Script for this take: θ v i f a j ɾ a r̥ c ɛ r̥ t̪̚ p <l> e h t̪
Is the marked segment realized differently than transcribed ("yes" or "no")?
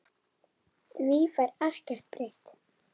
yes